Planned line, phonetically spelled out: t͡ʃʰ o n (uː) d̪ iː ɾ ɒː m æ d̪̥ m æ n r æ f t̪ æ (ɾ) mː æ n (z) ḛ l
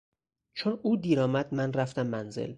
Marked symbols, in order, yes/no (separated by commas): yes, no, yes